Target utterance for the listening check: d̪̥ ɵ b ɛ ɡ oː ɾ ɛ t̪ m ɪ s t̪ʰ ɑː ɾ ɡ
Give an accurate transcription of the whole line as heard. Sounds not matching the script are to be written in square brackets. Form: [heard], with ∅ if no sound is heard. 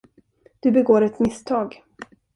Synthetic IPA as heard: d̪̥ ɵ b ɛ ɡ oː ɾ ɛ t̪ m ɪ s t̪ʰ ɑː [∅] ɡ